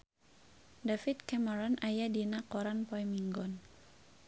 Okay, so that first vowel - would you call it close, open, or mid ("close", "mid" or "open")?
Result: open